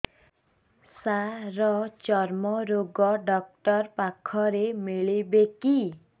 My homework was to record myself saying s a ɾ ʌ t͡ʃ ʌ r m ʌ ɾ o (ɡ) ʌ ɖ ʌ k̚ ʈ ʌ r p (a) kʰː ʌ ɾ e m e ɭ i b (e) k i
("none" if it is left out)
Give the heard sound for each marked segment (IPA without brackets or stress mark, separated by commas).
ɡ, a, e